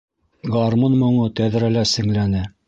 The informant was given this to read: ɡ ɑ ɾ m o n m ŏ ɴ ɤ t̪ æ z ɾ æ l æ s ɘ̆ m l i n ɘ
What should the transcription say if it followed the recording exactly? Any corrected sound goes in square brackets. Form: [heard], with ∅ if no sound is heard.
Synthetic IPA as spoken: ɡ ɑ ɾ m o n m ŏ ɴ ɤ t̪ æ [ð] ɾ æ l æ s ɘ̆ [ŋ] l [æ] n ɘ